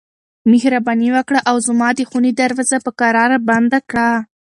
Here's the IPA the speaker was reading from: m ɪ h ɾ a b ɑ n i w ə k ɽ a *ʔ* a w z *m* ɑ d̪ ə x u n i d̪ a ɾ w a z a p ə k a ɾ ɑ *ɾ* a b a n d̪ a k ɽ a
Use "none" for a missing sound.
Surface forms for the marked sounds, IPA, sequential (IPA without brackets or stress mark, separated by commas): ʔ, m, ɾ